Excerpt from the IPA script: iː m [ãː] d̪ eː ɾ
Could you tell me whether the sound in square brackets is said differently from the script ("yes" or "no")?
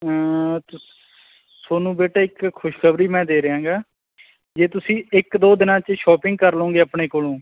yes